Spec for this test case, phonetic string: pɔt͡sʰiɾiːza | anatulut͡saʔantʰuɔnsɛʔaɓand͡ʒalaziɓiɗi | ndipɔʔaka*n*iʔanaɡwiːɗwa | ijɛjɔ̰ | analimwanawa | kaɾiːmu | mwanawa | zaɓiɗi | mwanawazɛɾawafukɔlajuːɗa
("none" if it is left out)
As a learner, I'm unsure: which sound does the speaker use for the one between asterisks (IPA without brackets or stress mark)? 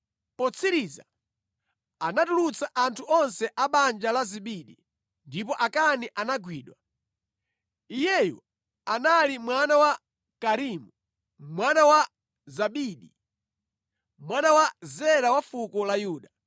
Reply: n